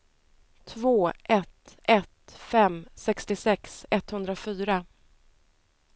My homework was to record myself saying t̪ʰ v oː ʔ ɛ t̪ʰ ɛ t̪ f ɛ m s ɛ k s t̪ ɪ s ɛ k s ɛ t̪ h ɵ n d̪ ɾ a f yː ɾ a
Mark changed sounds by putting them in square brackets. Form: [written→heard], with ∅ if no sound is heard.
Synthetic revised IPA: t̪ʰ v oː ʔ ɛ [t̪ʰ→t̪] ɛ t̪ f ɛ m s ɛ k s t̪ ɪ s ɛ k s ɛ t̪ h ɵ n d̪ ɾ a f yː ɾ a